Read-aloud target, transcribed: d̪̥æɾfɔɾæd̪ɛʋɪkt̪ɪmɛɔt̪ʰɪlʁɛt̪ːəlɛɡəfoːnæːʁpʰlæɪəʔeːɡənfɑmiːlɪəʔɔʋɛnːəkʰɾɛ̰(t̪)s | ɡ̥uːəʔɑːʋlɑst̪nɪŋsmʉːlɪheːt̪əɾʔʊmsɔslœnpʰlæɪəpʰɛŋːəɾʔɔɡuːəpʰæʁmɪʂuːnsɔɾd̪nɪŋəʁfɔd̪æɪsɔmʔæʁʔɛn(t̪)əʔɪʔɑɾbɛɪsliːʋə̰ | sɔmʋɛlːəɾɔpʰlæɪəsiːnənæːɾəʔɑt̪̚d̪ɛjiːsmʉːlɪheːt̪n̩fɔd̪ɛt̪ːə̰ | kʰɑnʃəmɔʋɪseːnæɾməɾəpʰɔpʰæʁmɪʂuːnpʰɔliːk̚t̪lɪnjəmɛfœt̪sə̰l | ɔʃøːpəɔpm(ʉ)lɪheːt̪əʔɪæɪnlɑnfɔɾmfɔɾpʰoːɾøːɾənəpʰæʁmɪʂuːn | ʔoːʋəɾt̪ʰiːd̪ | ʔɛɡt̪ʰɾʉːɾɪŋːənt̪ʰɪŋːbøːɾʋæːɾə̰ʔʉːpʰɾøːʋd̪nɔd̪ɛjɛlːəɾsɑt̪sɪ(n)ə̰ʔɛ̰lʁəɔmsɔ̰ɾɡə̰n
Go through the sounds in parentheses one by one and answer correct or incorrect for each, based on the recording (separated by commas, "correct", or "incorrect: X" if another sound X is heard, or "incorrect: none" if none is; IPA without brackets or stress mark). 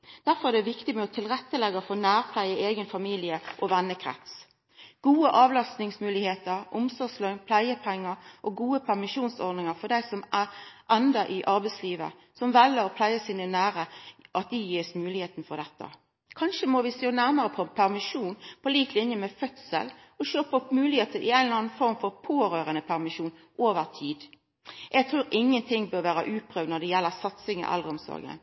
correct, incorrect: d̪, incorrect: ʉː, incorrect: ŋ